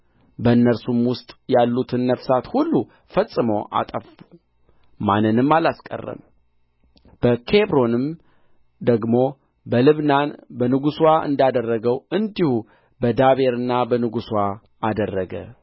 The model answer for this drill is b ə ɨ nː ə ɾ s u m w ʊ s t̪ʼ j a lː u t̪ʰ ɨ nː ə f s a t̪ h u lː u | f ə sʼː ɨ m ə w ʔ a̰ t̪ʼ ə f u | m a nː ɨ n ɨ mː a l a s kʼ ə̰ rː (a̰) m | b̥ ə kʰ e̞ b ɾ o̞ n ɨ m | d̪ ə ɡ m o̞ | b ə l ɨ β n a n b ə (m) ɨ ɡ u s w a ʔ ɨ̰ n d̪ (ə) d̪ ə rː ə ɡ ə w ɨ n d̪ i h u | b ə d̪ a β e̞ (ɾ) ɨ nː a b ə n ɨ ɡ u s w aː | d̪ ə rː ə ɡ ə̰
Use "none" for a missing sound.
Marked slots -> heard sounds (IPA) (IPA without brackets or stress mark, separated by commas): ə̰, n, a, ɾ